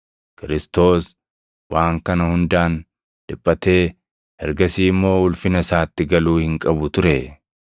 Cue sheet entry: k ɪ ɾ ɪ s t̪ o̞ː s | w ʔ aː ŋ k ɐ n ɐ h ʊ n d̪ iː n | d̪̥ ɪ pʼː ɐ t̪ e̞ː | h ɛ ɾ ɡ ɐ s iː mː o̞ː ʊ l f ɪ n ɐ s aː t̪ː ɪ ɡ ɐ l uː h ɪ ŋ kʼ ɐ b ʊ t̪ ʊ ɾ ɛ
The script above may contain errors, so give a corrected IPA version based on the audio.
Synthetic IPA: k ɪ ɾ ɪ s t̪ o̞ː s | w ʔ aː ŋ k ɐ n ɐ h ʊ n d̪ aː n | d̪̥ ɪ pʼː ɐ t̪ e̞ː | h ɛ ɾ ɡ ɐ s iː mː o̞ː ʊ l f ɪ n ɐ s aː t̪ː ɪ ɡ ɐ l uː h ɪ ŋ kʼ ɐ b ʊ t̪ ʊ ɾ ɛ